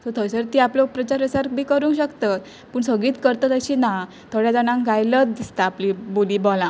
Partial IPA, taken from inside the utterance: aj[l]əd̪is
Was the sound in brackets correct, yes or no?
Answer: yes